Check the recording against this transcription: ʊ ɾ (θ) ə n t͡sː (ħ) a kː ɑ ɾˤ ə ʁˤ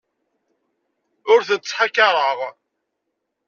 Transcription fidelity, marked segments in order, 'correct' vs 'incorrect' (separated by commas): correct, correct